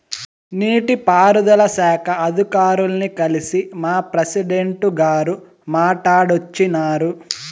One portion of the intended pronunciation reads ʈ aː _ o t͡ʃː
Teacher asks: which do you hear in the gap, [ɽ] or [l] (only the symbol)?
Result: ɽ